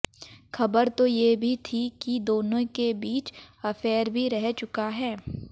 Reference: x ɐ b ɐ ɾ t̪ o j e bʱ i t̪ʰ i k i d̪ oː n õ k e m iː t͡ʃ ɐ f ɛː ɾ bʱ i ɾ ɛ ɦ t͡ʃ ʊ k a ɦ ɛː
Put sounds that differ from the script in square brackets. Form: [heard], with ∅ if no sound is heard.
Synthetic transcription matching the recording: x ɐ b [ə] ɾ t̪ o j e bʱ i t̪ʰ i k i d̪ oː n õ k e [b] iː t͡ʃ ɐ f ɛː ɾ bʱ i ɾ ɛ ɦ t͡ʃ ʊ k a ɦ ɛː